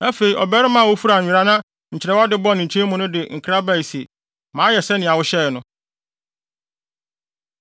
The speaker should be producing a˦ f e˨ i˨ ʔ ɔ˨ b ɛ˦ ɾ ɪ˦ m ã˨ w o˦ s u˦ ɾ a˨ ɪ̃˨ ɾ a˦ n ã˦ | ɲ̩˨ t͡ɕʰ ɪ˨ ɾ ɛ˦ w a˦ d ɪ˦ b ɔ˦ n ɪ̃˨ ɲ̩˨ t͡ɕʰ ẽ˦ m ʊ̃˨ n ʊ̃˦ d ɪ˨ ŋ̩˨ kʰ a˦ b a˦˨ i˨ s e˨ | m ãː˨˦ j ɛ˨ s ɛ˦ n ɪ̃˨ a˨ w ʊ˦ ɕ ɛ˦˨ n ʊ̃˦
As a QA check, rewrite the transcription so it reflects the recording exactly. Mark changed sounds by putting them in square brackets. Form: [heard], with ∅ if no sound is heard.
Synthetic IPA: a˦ f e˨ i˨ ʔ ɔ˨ b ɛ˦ ɾ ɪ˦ m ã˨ w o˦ [f] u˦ ɾ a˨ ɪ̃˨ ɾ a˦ n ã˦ | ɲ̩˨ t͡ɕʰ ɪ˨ ɾ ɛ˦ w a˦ d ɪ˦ b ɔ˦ n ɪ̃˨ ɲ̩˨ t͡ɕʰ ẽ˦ m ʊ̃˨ n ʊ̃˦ d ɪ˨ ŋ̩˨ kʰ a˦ b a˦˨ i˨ s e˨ | m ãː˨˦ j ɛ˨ s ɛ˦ n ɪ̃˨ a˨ w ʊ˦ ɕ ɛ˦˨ n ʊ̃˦